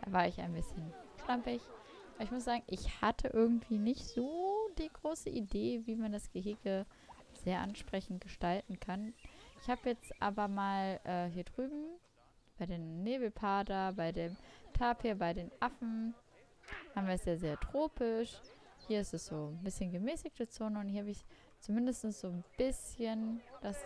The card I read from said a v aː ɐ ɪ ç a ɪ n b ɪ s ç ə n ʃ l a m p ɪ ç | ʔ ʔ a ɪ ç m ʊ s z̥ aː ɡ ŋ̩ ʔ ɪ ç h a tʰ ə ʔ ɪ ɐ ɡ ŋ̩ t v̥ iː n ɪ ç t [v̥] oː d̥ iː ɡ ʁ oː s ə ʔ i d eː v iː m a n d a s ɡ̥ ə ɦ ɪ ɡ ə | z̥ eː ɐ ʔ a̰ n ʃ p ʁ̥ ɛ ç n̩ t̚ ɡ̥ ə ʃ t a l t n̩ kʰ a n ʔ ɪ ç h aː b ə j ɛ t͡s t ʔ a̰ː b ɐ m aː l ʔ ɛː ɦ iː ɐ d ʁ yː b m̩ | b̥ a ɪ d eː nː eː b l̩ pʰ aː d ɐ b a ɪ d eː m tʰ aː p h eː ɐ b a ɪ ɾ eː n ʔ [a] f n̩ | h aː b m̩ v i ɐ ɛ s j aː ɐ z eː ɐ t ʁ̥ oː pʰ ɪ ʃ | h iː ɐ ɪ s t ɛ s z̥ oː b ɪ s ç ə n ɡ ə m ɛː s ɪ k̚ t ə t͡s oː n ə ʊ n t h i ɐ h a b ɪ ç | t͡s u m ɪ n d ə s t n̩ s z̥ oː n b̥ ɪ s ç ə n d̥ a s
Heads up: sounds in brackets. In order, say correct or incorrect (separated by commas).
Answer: incorrect, correct